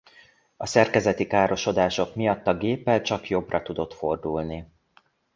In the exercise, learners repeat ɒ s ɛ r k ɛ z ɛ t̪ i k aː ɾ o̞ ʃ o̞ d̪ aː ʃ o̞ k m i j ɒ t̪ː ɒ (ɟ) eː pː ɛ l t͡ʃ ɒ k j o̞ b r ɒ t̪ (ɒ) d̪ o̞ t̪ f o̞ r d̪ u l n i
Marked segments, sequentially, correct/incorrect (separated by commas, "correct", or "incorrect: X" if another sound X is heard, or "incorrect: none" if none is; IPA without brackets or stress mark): incorrect: ɡ, incorrect: u